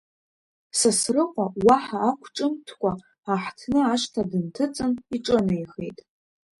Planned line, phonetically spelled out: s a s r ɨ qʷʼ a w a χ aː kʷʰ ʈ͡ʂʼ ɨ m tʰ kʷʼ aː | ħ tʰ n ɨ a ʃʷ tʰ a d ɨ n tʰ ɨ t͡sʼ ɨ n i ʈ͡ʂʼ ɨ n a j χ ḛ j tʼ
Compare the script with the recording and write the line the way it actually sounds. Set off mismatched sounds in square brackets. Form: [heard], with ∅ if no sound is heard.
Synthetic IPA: s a s r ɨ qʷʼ a w a [ħ] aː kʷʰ ʈ͡ʂʼ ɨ m tʰ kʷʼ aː | ħ tʰ n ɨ a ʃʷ tʰ a d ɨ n tʰ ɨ t͡sʼ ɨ n i ʈ͡ʂʼ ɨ n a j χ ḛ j tʼ